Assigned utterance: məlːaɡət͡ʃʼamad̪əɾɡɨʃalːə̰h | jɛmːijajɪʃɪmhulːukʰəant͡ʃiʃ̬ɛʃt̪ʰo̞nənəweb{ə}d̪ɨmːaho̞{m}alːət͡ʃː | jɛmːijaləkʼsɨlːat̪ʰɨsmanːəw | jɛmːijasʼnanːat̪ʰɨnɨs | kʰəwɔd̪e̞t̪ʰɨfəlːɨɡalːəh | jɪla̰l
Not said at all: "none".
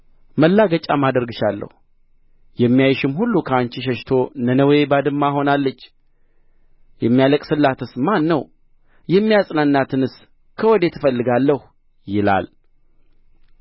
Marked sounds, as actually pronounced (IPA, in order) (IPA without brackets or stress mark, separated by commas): a, n